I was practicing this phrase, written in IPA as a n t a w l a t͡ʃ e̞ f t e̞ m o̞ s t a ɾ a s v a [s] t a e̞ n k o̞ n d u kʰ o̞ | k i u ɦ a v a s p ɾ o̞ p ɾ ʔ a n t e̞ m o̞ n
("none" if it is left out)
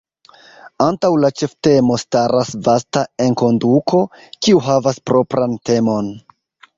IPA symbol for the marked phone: s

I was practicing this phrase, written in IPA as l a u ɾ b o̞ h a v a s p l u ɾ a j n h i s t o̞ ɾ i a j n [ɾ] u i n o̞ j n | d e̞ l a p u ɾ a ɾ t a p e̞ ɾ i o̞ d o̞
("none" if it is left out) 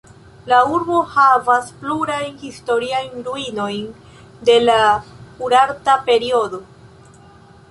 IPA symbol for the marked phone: ɾ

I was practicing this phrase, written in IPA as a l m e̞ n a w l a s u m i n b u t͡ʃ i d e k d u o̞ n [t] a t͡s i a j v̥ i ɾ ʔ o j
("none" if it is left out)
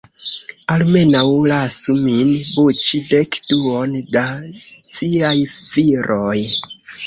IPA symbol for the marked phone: d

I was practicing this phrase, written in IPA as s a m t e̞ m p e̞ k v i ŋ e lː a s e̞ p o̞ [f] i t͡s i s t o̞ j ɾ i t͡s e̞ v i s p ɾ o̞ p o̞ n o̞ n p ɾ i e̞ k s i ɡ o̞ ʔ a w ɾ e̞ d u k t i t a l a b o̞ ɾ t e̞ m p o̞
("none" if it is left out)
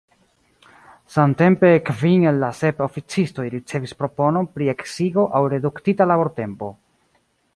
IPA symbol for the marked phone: f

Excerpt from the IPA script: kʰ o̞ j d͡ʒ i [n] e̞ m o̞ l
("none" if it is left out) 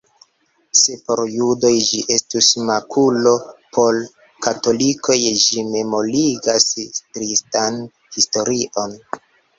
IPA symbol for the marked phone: m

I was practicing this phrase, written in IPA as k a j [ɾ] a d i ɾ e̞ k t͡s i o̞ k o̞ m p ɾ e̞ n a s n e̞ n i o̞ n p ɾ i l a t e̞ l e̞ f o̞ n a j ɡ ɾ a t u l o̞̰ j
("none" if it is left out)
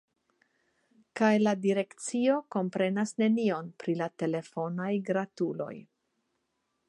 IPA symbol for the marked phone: l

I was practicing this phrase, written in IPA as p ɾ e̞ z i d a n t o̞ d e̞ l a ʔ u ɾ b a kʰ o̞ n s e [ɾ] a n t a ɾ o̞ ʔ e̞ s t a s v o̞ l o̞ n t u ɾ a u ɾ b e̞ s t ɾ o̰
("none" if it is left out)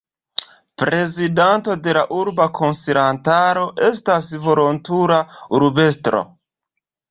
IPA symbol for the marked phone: ɾ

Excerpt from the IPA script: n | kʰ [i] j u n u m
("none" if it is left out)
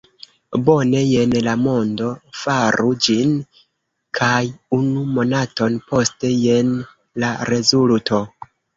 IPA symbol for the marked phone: a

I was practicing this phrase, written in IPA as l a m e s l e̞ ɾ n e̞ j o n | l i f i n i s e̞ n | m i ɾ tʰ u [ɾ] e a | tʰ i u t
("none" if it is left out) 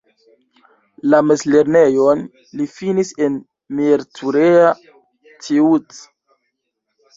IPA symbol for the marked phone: ɾ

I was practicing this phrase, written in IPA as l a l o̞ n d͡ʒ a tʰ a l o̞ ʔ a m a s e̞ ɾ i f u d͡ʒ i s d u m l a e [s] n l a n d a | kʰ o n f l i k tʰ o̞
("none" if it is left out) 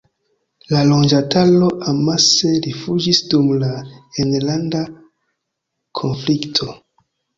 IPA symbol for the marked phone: none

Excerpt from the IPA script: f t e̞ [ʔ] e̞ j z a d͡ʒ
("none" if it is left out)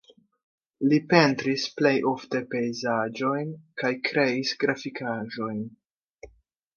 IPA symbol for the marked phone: p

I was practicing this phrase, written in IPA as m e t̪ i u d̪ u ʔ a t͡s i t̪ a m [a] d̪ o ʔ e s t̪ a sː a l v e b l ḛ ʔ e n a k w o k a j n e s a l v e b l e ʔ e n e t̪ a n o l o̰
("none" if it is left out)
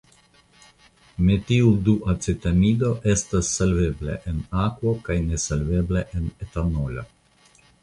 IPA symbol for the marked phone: i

